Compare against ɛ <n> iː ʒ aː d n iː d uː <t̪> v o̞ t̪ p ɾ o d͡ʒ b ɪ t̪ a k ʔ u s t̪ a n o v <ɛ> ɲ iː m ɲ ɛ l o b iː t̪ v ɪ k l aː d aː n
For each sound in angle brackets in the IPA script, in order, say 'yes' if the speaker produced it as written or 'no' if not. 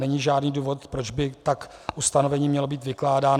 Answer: no, no, yes

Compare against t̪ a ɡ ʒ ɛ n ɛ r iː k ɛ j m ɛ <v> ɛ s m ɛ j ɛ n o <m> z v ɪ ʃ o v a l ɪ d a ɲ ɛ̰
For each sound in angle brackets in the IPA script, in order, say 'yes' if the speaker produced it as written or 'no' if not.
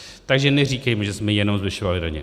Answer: no, yes

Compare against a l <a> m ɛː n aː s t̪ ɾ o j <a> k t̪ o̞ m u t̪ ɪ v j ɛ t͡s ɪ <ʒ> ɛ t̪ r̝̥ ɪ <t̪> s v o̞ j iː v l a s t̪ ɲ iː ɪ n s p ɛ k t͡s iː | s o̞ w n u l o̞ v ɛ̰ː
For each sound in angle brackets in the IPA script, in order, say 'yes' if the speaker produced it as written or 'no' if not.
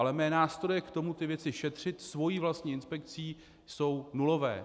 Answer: no, no, no, yes

